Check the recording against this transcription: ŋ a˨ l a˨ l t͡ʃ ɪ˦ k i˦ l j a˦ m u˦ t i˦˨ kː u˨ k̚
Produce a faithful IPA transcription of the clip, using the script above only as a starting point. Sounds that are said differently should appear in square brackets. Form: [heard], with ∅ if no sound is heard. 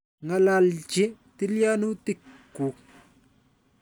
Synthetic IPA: ŋ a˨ l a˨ l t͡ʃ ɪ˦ [t] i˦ l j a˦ [n] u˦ t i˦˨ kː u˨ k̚